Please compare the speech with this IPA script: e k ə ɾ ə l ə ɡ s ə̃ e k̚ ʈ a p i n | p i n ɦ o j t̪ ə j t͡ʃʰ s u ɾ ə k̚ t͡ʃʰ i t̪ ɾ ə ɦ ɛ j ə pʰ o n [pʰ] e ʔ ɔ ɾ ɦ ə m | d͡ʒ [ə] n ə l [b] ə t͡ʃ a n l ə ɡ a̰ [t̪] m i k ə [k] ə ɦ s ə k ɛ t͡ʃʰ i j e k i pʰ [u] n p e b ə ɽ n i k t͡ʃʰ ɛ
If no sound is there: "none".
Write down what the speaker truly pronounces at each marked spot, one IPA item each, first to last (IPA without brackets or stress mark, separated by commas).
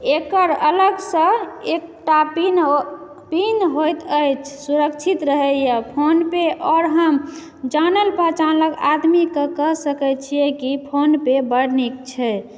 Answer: p, a, p, d̪, k, o